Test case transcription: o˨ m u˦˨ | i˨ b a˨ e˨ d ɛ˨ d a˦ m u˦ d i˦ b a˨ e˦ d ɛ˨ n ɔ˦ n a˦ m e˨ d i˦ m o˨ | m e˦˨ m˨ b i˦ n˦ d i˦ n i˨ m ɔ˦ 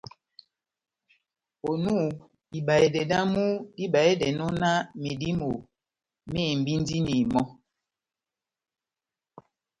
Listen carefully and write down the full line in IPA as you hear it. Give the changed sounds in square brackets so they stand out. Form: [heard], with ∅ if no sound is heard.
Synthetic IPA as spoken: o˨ [n] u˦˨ | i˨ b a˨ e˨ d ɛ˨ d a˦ m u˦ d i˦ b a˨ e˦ d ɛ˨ n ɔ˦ n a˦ m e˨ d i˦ m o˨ | m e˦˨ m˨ b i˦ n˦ d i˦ n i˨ m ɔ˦

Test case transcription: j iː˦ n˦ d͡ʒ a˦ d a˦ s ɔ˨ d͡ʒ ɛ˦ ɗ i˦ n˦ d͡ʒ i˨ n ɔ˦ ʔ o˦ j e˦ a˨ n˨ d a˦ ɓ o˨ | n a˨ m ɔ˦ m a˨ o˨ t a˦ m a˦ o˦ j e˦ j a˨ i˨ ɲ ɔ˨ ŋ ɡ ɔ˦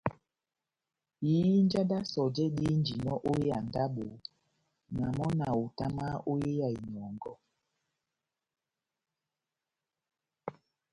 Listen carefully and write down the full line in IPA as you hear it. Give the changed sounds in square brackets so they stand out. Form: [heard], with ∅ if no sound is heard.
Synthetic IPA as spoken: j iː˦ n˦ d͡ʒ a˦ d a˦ s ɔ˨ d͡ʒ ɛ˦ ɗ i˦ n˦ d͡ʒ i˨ n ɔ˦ ʔ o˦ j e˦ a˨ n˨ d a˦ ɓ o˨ | n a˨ m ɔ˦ [n] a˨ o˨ t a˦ m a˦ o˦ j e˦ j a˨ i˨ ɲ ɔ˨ ŋ ɡ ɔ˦

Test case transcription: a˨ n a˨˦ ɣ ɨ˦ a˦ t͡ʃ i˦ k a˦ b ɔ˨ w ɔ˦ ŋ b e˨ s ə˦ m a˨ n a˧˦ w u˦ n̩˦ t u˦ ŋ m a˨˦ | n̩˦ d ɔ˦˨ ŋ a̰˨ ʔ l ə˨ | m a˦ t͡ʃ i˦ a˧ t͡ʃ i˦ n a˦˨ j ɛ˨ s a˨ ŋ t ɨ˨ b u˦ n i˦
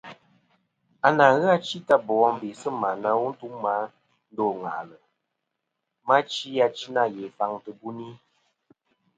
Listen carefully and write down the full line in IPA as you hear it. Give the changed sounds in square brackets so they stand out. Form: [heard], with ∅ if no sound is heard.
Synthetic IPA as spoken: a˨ n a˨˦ ɣ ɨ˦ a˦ t͡ʃ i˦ [t] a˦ b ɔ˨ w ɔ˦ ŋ b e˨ s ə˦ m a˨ n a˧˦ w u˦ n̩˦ t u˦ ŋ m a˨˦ | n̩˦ d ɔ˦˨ ŋ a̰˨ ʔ l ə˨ | m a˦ t͡ʃ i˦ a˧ t͡ʃ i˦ n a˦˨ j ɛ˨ [f] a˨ ŋ t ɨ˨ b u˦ n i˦

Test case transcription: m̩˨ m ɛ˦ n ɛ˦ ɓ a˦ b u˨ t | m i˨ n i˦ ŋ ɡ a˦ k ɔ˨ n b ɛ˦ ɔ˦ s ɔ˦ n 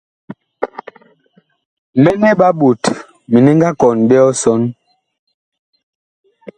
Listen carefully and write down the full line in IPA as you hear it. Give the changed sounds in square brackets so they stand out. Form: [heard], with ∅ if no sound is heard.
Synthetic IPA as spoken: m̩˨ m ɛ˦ n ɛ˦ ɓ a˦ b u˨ t | m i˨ n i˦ ŋ ɡ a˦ k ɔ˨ n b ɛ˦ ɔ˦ s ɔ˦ n

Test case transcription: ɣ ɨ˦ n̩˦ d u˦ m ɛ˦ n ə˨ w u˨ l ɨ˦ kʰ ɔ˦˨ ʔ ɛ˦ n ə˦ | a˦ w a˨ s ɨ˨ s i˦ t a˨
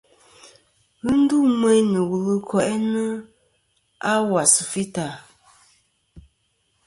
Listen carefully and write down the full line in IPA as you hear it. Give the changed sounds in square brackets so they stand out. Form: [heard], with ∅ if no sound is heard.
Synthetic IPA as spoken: ɣ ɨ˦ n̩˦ d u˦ m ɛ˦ n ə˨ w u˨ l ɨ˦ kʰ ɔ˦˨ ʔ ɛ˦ n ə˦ | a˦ w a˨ s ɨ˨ [f] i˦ t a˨

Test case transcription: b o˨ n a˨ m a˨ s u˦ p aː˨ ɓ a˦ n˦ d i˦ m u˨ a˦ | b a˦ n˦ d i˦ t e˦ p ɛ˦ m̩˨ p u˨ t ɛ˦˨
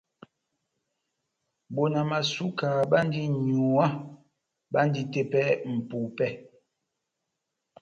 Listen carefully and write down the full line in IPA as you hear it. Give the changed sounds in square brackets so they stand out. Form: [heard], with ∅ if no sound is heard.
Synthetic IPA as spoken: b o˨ n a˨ m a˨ s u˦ [k] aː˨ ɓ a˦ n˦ d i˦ [ɲ] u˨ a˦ | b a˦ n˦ d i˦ t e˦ p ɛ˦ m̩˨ p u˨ [p] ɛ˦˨

